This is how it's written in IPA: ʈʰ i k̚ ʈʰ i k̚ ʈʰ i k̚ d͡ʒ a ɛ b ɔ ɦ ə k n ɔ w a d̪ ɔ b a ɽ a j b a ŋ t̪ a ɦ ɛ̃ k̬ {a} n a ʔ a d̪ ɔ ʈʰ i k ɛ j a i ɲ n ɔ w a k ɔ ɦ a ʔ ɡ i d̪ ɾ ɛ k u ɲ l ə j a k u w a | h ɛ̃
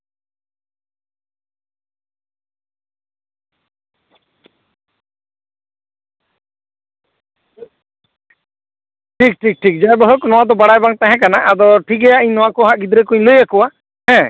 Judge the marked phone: correct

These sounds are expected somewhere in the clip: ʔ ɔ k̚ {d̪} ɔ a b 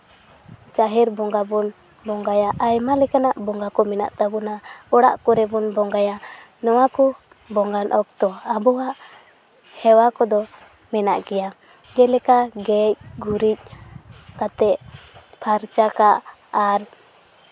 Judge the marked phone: incorrect: t̪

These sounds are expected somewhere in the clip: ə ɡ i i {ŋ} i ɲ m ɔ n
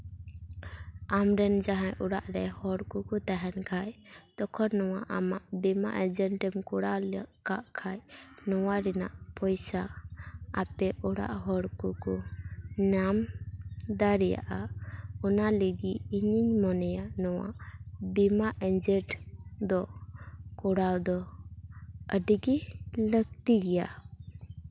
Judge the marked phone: incorrect: ɲ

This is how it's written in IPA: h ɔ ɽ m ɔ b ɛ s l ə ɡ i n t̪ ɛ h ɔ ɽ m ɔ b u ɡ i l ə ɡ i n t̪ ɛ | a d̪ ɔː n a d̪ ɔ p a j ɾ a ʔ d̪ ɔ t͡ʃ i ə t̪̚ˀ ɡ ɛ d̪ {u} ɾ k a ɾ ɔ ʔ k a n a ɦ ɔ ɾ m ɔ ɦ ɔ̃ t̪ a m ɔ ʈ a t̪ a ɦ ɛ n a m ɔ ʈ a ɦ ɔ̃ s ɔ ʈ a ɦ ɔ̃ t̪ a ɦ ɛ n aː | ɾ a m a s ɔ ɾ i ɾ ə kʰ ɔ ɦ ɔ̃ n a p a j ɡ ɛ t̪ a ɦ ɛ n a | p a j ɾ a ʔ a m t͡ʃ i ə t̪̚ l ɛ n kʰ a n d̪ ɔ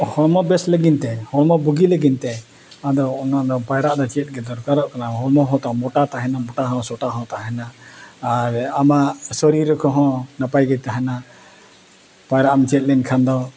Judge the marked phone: incorrect: ɔ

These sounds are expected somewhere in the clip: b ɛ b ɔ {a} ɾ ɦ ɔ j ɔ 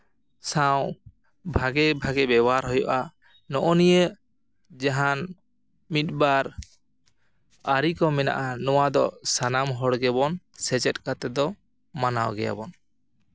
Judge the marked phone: correct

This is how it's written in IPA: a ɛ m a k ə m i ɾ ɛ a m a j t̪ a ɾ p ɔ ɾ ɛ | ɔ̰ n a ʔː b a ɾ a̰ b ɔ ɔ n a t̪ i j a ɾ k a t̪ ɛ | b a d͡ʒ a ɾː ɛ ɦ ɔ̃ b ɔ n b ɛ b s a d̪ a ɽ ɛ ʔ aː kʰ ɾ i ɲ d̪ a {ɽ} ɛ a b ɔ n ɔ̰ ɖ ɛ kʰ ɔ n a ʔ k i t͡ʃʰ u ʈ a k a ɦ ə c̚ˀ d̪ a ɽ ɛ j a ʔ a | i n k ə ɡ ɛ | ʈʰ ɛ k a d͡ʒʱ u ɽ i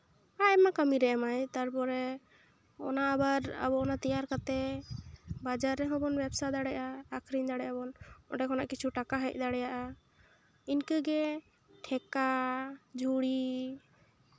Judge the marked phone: correct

